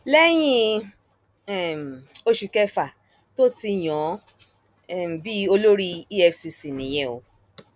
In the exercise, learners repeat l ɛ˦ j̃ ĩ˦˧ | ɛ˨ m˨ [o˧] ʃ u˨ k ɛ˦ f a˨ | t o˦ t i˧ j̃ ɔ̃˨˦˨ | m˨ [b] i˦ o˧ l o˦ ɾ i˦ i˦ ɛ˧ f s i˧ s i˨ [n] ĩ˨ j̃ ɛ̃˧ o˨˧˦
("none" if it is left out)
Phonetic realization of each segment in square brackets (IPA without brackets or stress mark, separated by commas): o˧, b, n